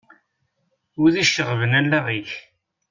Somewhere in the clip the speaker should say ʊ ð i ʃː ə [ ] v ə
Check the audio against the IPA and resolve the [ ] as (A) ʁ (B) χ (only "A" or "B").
A